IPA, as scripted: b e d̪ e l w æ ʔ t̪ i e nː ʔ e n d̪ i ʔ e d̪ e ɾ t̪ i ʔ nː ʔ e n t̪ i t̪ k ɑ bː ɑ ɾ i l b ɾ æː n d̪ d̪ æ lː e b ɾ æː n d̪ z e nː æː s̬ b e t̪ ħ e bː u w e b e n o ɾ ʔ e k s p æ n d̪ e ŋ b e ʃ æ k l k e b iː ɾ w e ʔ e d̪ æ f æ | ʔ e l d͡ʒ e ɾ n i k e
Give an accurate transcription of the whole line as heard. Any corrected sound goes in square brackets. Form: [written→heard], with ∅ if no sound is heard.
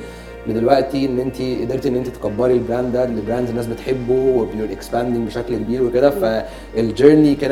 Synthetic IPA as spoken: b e d̪ e l w æ ʔ t̪ i e nː ʔ e n [d̪→t̪] i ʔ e d̪ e ɾ t̪ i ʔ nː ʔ e n t̪ i t̪ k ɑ bː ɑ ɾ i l b ɾ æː n d̪ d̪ æ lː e b ɾ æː n d̪ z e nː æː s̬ b e t̪ ħ e bː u w e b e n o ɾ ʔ e k s p æ n d̪ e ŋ b e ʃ æ k l k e b iː ɾ w e [ʔ→k] e d̪ æ f æ | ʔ e l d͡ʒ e ɾ n i k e